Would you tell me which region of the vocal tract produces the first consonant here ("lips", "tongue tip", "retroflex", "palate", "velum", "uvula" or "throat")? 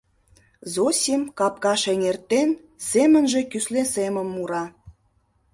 tongue tip